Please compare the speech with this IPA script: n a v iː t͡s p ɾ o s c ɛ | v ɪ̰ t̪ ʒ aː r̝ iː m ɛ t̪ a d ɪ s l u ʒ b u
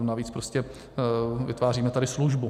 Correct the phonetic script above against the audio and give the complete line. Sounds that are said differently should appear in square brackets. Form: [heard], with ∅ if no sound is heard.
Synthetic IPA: n a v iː t͡s p ɾ o s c ɛ | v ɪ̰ t̪ [v] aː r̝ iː m ɛ t̪ a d ɪ s l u ʒ b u